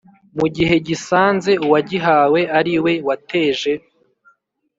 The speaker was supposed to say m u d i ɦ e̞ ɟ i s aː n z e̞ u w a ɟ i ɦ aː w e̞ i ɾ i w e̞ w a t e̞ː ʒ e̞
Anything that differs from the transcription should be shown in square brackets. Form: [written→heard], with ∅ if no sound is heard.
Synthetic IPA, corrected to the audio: m u [d→ɟ] i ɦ e̞ ɟ i s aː n z e̞ u w a ɟ i ɦ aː w e̞ [i→a] ɾ i w e̞ w a t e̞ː ʒ e̞